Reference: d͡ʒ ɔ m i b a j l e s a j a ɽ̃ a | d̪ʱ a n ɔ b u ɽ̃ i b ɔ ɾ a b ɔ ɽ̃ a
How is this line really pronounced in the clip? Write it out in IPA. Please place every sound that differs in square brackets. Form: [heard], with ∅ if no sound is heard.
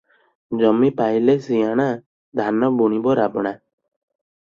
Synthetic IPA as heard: d͡ʒ ɔ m i [p] a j l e s [i] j a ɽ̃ a | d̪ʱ a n ɔ b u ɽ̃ i b ɔ ɾ a b ɔ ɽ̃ a